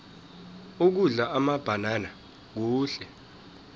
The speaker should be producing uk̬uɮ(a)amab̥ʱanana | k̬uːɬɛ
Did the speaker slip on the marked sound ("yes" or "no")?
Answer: no